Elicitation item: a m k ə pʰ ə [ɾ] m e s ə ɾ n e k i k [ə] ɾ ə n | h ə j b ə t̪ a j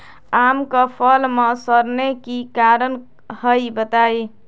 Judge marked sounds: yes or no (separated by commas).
no, no